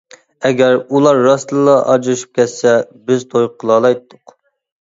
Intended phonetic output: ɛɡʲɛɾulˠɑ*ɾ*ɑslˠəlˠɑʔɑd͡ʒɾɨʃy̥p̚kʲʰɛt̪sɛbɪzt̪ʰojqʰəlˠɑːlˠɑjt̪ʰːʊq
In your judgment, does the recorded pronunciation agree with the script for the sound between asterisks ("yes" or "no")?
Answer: no